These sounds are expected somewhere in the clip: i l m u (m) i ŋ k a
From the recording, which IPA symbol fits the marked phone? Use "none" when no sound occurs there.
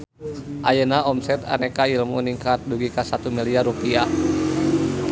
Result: n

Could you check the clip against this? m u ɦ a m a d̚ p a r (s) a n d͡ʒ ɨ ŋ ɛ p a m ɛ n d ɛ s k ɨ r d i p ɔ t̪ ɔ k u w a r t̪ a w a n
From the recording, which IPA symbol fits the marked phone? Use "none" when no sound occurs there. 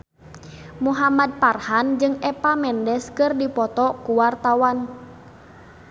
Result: h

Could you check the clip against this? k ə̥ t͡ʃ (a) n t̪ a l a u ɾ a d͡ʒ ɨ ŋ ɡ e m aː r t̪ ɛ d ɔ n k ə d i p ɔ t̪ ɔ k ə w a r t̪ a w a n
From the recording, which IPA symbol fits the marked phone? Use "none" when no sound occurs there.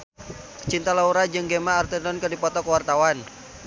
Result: i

